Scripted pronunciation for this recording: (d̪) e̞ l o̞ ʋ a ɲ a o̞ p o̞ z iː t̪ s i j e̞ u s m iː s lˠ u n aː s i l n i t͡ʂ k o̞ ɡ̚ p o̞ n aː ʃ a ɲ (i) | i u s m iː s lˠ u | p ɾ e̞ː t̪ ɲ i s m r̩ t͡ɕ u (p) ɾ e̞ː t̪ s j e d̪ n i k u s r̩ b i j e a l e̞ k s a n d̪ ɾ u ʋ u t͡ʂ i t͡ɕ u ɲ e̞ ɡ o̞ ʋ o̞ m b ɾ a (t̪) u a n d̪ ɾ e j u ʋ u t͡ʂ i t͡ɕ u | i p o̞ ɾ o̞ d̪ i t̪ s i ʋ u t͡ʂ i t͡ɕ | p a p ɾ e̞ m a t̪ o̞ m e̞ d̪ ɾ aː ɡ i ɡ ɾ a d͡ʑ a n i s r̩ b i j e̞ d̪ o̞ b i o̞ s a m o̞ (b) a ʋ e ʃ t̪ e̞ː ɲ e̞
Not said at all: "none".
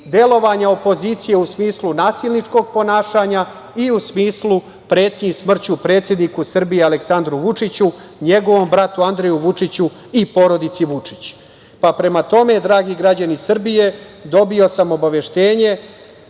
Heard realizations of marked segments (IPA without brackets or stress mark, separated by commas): d̪, a, p, t̪, b